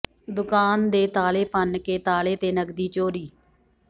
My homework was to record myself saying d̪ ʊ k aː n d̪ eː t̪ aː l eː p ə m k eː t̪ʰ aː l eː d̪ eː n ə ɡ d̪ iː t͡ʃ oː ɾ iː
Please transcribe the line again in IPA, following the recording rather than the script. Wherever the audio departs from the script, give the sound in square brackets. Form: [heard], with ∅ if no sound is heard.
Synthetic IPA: d̪ ʊ k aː n d̪ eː t̪ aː l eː p ə [n] k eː [t̪] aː l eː [t̪] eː n ə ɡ d̪ iː t͡ʃ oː ɾ iː